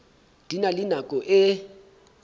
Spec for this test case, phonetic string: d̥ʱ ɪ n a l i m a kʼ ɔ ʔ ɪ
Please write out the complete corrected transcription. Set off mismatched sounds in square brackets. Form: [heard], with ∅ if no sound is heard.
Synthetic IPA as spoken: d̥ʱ [i] n a l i [n] a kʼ ɔ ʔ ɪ

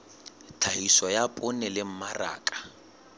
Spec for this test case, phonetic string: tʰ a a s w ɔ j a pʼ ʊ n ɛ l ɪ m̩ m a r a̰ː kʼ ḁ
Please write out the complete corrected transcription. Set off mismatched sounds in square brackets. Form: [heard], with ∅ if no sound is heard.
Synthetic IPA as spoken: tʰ a [i] s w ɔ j a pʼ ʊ n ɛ l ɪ m̩ m a r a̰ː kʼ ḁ

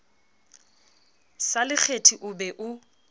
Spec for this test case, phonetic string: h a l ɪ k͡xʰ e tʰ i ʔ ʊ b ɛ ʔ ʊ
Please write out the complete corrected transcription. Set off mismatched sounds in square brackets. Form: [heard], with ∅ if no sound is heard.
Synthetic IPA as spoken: [s] a l ɪ k͡xʰ e tʰ i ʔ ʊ b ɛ ʔ ʊ

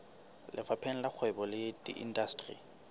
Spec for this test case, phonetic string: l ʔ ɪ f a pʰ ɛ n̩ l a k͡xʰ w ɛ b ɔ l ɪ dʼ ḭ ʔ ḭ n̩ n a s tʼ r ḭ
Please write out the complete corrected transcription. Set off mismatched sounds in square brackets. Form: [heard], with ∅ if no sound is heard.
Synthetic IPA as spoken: l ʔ ɪ f a pʰ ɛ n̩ l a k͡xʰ w ɛ b ɔ l ɪ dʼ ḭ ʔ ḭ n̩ [d] a s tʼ r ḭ

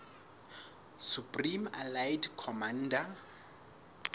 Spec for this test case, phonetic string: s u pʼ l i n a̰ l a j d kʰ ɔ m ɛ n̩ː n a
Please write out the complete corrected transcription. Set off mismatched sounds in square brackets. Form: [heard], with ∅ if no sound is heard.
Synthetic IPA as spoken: s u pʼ [r] i [m] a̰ l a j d kʰ ɔ m [a] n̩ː [d] a

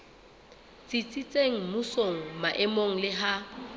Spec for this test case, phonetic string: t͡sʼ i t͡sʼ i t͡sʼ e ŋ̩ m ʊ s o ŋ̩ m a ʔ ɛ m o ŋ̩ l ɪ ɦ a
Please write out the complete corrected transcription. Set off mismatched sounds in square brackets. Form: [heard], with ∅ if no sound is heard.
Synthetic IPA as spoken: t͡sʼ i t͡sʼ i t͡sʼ e ŋ̩ m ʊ s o ŋ̩ m a ʔ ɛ m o ŋ̩ l ɪ ɦ a

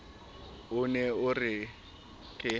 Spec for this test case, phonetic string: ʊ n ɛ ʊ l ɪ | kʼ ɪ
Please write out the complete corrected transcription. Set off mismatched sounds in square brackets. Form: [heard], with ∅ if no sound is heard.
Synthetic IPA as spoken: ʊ n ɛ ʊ [r] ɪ | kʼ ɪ

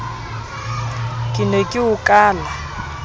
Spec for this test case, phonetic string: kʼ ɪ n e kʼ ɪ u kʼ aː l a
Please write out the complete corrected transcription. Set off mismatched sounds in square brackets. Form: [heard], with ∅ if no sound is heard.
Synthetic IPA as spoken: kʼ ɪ n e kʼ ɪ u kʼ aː l a

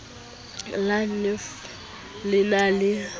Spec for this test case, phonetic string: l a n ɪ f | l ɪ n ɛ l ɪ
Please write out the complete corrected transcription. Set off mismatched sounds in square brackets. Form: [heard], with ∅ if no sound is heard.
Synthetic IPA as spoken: l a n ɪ f | l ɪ n [a] l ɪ

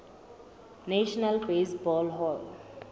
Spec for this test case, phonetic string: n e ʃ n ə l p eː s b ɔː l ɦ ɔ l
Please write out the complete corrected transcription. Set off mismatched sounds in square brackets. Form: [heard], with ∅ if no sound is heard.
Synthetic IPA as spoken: n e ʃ n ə l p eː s b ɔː l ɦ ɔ l

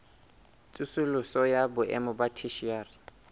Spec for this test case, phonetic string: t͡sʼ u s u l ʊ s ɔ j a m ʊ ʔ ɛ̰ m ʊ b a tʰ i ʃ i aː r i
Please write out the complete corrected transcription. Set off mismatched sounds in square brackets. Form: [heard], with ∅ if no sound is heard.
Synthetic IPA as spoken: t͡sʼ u s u l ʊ s ɔ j a [b] ʊ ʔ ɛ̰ m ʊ b a tʰ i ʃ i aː r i

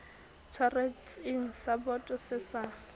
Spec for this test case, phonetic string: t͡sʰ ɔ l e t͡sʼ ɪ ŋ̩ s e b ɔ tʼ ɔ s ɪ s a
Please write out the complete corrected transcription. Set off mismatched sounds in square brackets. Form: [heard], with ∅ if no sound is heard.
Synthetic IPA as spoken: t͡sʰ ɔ [r] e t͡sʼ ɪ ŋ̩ s [a] b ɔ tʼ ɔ s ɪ s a

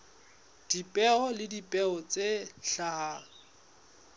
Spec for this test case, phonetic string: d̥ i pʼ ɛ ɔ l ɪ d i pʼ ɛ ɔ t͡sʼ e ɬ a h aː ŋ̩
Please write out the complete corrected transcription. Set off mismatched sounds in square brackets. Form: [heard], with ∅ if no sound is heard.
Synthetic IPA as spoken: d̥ i pʼ ɛ ɔ l ɪ d i pʼ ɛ ɔ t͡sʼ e ɬ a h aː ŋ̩

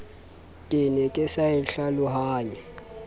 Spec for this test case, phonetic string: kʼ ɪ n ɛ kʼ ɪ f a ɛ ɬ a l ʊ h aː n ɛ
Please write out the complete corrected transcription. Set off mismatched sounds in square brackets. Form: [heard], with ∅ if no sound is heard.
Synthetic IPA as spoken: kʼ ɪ n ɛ kʼ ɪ [s] a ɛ ɬ a l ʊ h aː [ɲ] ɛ

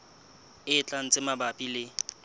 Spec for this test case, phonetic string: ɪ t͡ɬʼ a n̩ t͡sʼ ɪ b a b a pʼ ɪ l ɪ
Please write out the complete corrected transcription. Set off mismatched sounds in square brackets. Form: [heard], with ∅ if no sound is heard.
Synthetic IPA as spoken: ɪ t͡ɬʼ a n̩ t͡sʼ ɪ [m] a b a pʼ [i] l ɪ

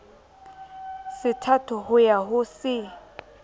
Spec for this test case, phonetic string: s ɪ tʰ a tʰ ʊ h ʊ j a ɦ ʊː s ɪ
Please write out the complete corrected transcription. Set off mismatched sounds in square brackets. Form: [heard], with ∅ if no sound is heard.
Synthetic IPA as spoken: s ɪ tʰ a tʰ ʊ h ʊ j a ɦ [ʊ] s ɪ

